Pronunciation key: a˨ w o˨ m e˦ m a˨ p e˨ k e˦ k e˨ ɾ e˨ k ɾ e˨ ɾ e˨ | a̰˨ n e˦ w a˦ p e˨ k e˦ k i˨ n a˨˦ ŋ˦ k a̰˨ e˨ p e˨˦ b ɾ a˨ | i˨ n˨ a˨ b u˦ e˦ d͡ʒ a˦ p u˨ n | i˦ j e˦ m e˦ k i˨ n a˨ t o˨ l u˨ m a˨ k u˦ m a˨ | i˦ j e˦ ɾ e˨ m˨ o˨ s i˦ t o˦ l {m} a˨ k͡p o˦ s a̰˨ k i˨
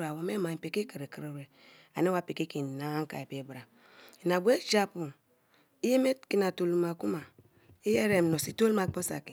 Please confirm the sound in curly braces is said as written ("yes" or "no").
yes